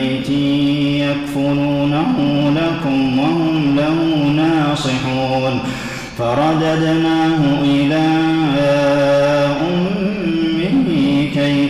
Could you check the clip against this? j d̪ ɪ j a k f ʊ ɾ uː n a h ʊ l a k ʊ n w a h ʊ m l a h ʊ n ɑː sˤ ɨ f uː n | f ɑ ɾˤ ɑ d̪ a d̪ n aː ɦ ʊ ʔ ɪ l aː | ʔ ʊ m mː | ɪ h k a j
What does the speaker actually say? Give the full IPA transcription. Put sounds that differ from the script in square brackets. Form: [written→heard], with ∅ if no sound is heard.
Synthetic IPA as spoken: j [d̪→t̪] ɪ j a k f ʊ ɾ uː n a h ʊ l a k ʊ [n→m] w a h ʊ m l a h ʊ n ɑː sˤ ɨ [f→ħ] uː n | f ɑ ɾˤ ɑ d̪ a d̪ n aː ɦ ʊ ʔ ɪ l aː | ʔ ʊ m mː | ɪ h k a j